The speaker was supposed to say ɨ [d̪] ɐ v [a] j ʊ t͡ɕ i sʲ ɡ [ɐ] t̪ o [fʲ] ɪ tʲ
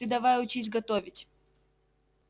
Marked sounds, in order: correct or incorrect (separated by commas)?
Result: correct, correct, correct, incorrect